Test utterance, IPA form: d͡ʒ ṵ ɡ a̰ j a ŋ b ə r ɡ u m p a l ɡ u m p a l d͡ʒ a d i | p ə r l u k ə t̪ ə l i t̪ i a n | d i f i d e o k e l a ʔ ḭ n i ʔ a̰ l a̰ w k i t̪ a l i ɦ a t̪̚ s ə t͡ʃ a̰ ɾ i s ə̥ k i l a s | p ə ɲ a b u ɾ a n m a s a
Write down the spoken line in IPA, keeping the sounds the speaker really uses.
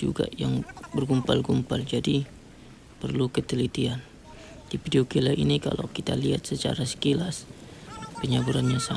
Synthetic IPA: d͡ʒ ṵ ɡ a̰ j a ŋ b ə r ɡ u m p a l ɡ u m p a l d͡ʒ a d i | p ə r l u k ə t̪ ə l i t̪ i a n | d i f i d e o k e l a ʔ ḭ n i k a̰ l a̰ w k i t̪ a l i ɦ a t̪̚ s ə t͡ʃ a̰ ɾ a s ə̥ k i l a s | p ə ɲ a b u ɾ a n ɲ a s a